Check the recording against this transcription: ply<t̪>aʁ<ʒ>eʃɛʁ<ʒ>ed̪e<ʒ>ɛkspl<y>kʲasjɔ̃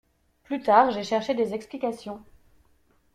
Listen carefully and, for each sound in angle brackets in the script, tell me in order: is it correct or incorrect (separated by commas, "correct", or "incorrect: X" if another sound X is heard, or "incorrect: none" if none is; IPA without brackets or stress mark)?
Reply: correct, correct, incorrect: ʃ, incorrect: z, incorrect: i